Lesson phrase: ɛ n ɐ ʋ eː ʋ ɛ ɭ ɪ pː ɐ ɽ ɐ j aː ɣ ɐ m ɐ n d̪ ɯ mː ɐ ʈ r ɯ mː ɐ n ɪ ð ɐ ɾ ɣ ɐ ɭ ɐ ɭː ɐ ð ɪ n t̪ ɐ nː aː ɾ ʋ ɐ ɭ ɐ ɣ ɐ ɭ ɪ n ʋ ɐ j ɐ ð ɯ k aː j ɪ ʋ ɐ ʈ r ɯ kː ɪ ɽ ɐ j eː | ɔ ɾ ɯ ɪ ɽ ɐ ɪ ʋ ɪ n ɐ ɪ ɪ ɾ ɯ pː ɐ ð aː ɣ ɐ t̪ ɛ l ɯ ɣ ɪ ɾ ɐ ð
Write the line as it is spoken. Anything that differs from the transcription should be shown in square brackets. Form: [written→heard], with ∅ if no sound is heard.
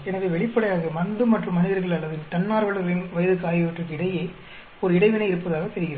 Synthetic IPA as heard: ɛ n ɐ ʋ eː ʋ ɛ ɭ ɪ pː ɐ ɽ ɐ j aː ɣ ɐ m ɐ n d̪ ɯ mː ɐ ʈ r ɯ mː ɐ n ɪ ð ɐ ɾ ɣ ɐ ɭ ɐ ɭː ɐ ð ɪ n t̪ ɐ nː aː ɾ ʋ ɐ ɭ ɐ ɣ ɐ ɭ ɪ n ʋ ɐ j ɐ ð ɯ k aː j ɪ ʋ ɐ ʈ r ɯ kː ɪ ɽ ɐ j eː | ɔ ɾ ɯ ɪ ɽ ɐ ɪ ʋ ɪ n ɐ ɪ ɪ ɾ ɯ pː ɐ ð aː ɣ ɐ t̪ ɛ [l→ɾ] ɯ ɣ ɪ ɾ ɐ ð